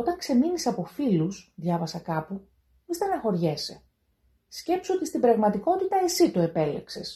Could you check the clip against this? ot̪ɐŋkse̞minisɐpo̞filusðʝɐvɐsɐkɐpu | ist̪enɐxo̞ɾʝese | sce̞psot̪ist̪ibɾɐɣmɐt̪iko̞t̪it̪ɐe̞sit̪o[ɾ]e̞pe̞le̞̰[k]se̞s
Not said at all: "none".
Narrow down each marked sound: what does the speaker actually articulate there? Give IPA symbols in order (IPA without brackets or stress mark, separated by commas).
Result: none, k